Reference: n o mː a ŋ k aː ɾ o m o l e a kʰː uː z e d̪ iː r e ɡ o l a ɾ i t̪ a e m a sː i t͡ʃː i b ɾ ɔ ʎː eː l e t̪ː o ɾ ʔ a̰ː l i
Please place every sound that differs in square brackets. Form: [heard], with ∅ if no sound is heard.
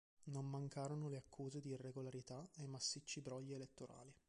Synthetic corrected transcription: n o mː a ŋ k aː ɾ o [n] o l e a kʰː uː z e d̪ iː r e ɡ o l a ɾ i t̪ a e m a sː i t͡ʃː i b ɾ ɔ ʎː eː l e t̪ː o ɾ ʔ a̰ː l i

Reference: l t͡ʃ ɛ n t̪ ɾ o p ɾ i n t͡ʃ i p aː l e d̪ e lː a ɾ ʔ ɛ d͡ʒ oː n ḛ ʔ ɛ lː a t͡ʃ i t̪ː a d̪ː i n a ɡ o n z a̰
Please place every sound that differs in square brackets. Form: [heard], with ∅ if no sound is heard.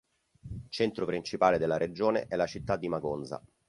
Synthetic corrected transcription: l t͡ʃ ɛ n t̪ ɾ o p ɾ i n t͡ʃ i p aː l e d̪ e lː a ɾ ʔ [e] d͡ʒ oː n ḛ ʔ ɛ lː a t͡ʃ i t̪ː a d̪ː i [m] a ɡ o n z a̰

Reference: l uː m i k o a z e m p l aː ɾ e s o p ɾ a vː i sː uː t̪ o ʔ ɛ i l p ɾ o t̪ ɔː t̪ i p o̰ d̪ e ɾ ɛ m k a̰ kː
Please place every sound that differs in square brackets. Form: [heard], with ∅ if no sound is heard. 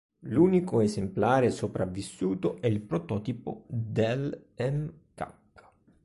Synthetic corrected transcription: l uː [n] i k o [e] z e m p l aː ɾ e s o p ɾ a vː i sː uː t̪ o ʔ ɛ i l p ɾ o t̪ ɔː t̪ i p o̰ d̪ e [l] ɛ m k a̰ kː

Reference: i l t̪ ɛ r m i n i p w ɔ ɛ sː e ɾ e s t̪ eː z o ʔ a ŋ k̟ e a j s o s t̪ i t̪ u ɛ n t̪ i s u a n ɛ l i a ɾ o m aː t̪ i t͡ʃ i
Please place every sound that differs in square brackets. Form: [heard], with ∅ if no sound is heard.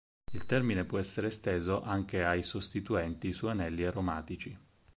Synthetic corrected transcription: i l t̪ ɛ r m i n [e] p w ɔ ɛ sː e ɾ e s t̪ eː z o ʔ a ŋ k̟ e a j s o s t̪ i t̪ u ɛ n t̪ i s u a n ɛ [lː] i a ɾ o m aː t̪ i t͡ʃ i

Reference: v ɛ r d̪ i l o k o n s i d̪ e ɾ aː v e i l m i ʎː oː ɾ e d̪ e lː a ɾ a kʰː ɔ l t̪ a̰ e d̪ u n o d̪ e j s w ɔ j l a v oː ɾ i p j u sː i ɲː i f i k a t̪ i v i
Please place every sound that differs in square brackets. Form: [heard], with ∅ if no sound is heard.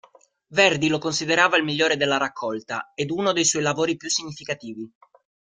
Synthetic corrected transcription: v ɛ r d̪ i l o k o n s i d̪ e ɾ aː v [a] i l m i ʎː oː ɾ e d̪ e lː a ɾ a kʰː ɔ l t̪ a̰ e d̪ u n o d̪ e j s w ɔ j l a v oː ɾ i p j u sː i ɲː i f i k a t̪ [iː] v i

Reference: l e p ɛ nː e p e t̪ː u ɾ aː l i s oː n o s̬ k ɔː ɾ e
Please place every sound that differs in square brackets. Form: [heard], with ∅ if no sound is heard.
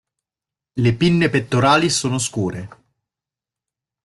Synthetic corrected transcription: l e p [i] nː e p e t̪ː [o] ɾ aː l i s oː n o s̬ k [uː] ɾ e

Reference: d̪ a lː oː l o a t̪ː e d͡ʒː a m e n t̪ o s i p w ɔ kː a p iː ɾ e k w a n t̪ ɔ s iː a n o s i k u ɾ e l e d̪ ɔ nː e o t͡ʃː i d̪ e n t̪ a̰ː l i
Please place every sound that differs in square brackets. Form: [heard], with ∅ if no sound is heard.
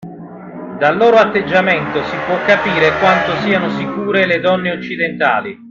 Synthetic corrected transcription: d̪ a lː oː [ɾ] o a t̪ː e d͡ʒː a m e n t̪ o s i p w ɔ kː a p iː ɾ e k w a n t̪ [o] s iː a n o s i k [uː] ɾ e l e d̪ ɔ nː e o t͡ʃː i d̪ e n t̪ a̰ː l i

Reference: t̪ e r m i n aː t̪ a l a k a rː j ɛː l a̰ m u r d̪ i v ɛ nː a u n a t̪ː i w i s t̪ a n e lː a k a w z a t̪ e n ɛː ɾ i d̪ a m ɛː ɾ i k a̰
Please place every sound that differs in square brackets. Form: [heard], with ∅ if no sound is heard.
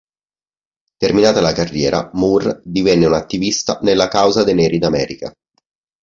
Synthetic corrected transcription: t̪ e r m i n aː t̪ a l a k a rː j ɛː [ɾ] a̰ m u r d̪ i v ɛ nː [e] u n a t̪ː i [v] i s t̪ a n e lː a k a w z a [d̪] e n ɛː ɾ i d̪ a m ɛː ɾ i k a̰

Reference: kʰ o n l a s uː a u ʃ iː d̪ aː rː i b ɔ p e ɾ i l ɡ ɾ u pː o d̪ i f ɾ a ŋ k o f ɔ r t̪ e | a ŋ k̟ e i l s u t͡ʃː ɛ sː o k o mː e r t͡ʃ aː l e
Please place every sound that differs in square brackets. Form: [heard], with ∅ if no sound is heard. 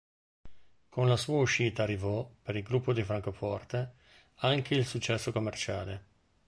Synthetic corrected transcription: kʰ o n l a s uː a u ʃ iː [t̪] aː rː i [v] ɔ p e ɾ i l ɡ ɾ u pː o d̪ i f ɾ a ŋ k o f ɔ r t̪ e | a ŋ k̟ e i l s u t͡ʃː ɛ sː o k o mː e r t͡ʃ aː l e

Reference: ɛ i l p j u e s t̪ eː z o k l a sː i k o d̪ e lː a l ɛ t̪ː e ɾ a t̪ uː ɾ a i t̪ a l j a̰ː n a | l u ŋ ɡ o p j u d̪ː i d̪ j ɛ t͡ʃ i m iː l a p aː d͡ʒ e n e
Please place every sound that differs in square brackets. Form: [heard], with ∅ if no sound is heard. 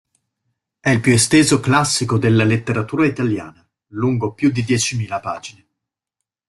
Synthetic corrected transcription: ɛ i l p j u e s t̪ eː z o k l a sː i k o d̪ e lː a l [e] t̪ː e ɾ a t̪ uː ɾ a i t̪ a l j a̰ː n a | l u ŋ ɡ o p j u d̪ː i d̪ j ɛ t͡ʃ i m iː l a p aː d͡ʒ [i] n e

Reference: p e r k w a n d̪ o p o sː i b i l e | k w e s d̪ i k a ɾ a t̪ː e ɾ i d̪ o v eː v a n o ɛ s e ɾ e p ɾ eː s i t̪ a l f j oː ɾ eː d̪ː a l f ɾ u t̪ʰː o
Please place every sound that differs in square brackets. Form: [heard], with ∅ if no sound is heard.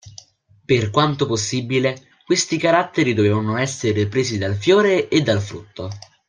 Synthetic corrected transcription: p e r k w a n [t̪] o p o sː i b i l e | k w e s [t̪] i k a ɾ a t̪ː e ɾ i d̪ o v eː v a n o ɛ [sː] e ɾ e p ɾ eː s i [d̪] a l f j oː ɾ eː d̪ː a l f ɾ u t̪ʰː o

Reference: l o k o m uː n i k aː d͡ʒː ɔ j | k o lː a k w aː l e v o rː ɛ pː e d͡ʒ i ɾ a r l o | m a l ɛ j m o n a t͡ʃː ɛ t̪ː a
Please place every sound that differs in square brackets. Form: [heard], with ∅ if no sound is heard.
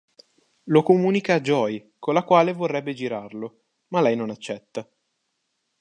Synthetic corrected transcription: l o k o m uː n i k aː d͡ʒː ɔ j | k o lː a k w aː l e v o rː ɛ [bː] e d͡ʒ i ɾ a r l o | m a l ɛ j [n] o n a t͡ʃː ɛ t̪ː a

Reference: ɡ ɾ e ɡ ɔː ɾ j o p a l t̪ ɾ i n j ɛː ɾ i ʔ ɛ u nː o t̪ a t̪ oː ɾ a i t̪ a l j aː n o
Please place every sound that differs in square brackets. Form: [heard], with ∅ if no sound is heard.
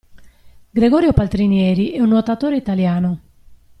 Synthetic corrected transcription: ɡ ɾ e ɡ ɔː ɾ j o p a l t̪ ɾ i n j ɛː ɾ i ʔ ɛ u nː o t̪ a t̪ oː ɾ [e] i t̪ a l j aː n o

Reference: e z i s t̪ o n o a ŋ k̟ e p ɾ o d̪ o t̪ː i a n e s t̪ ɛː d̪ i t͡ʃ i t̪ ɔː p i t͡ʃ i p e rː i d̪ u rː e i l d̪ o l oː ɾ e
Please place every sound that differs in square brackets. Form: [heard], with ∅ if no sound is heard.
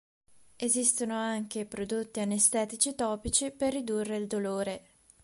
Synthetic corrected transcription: e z i s t̪ o n o a ŋ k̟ e p ɾ o d̪ o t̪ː i a n e s t̪ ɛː [t̪] i t͡ʃ i t̪ ɔː p i t͡ʃ i p e rː i d̪ u rː e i l d̪ o l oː ɾ e

